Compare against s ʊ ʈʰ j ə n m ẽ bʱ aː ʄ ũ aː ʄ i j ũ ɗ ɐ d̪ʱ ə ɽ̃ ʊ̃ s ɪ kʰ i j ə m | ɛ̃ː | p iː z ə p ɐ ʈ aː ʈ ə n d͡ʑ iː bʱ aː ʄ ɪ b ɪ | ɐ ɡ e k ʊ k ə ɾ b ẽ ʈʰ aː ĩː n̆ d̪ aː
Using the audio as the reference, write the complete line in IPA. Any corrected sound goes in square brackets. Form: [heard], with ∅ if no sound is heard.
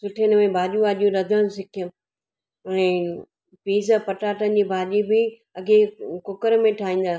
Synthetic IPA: s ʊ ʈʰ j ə n m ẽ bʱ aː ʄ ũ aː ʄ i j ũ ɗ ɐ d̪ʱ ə ɽ̃ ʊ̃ s ɪ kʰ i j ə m | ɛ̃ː | p iː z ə p ɐ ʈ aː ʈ ə n d͡ʑ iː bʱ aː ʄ [i] b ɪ | ɐ ɡ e k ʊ k ə ɾ [m] ẽ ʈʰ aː ĩː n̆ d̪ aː

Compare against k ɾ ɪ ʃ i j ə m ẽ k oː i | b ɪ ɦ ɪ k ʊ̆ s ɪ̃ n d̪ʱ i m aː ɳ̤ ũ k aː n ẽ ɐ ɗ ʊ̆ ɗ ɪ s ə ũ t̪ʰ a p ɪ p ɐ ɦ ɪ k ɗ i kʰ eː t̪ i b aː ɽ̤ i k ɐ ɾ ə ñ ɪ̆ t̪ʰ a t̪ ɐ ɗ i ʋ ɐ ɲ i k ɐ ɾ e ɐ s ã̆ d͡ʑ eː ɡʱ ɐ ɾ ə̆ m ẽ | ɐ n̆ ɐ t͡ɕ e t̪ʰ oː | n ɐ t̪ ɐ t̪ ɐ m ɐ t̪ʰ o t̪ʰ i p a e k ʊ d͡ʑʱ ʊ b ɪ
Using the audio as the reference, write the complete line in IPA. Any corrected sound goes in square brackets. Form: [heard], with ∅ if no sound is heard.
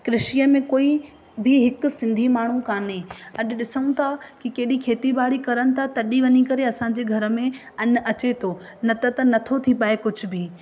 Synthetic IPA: k ɾ ɪ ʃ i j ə m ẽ k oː i | b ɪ ɦ ɪ k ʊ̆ s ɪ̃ n d̪ʱ i m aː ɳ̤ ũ k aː n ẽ ɐ ɗ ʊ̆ ɗ ɪ s ə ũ t̪ʰ a [k] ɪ [k] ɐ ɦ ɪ [∅] ɗ i kʰ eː t̪ i b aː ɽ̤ i k ɐ ɾ ə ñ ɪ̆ t̪ʰ a t̪ ɐ ɗ i ʋ ɐ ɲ i k ɐ ɾ e ɐ s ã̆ d͡ʑ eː ɡʱ ɐ ɾ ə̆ m ẽ | ɐ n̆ ɐ t͡ɕ e t̪ʰ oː | n ɐ t̪ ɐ t̪ ɐ [n] ɐ t̪ʰ o t̪ʰ i p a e k ʊ d͡ʑʱ ʊ b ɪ

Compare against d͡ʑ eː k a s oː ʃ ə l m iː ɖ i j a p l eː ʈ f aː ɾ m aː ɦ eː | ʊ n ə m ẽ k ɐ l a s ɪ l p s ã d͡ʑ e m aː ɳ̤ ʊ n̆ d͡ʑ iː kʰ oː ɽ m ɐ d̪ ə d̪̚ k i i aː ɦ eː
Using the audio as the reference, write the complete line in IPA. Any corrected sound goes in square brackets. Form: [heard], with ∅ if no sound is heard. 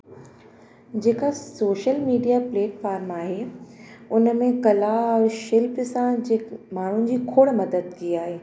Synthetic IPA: d͡ʑ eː k a s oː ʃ ə l m iː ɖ i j a p l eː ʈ f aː ɾ m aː ɦ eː | ʊ n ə m ẽ k ɐ l a [ʃ] ɪ l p s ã d͡ʑ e m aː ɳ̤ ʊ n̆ d͡ʑ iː kʰ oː ɽ m ɐ d̪ ə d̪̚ k i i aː ɦ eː

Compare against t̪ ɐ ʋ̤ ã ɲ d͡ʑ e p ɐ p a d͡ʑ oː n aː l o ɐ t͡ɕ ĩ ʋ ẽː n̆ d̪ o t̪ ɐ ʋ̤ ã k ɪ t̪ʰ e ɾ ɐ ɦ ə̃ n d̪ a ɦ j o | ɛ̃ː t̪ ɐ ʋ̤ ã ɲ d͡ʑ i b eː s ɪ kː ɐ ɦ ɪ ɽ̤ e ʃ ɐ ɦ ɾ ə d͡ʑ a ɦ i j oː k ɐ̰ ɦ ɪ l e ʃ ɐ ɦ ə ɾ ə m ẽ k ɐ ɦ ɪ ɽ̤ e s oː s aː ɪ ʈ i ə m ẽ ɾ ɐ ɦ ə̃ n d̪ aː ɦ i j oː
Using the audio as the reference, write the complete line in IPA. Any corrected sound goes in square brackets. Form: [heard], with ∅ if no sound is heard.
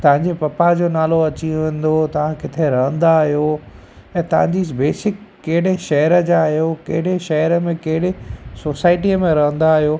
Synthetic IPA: t̪ ɐ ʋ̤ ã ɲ d͡ʑ e p ɐ p a d͡ʑ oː n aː l o ɐ t͡ɕ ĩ ʋ ẽː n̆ d̪ o t̪ ɐ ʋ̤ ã k ɪ t̪ʰ e ɾ ɐ ɦ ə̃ n d̪ a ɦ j o | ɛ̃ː t̪ ɐ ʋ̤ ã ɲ d͡ʑ i b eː s ɪ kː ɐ ɦ ɪ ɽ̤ e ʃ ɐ ɦ ɾ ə d͡ʑ a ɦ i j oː k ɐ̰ ɦ ɪ [ɽ] e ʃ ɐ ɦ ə ɾ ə m ẽ k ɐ ɦ ɪ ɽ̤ e s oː s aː ɪ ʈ i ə m ẽ ɾ ɐ ɦ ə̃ n d̪ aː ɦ i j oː

